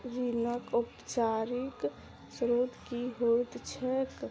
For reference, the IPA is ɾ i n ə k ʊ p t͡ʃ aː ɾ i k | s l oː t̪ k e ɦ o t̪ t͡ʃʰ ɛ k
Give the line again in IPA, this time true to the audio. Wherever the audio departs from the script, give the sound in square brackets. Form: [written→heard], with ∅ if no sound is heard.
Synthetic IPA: ɾ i n ə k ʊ p t͡ʃ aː ɾ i k | s [l→ɾ] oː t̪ k [e→i] ɦ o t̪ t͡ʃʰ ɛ k